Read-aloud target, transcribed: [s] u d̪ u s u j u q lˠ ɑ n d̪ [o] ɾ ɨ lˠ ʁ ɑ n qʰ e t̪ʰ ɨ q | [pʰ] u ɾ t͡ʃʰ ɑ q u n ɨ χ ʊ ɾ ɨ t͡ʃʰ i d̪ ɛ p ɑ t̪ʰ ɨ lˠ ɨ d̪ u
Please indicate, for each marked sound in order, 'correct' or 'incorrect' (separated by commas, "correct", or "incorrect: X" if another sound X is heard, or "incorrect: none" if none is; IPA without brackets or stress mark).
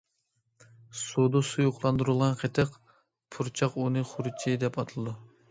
correct, incorrect: u, correct